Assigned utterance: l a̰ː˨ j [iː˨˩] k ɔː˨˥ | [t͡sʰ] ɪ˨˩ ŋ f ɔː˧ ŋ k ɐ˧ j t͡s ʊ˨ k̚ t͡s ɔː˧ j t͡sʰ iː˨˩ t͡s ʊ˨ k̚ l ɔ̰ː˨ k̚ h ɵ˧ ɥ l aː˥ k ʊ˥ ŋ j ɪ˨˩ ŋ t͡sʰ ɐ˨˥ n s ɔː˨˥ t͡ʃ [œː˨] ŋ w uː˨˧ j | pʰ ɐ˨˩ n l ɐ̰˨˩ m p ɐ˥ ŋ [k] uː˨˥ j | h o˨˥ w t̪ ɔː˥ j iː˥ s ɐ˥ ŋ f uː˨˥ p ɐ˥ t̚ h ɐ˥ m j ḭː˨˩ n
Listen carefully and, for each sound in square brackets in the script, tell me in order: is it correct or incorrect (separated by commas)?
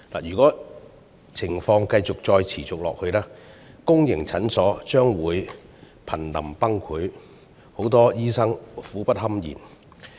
incorrect, correct, incorrect, incorrect